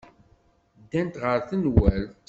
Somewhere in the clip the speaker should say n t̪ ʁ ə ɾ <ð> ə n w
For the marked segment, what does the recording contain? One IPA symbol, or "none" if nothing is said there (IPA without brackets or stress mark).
θ